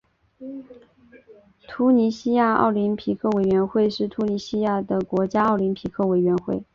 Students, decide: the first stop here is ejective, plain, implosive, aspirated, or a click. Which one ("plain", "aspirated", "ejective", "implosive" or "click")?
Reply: aspirated